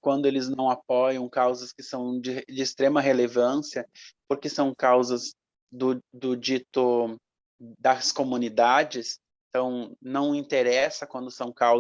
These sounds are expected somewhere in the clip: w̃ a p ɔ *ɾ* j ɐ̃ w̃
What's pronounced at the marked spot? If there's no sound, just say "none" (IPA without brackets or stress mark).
none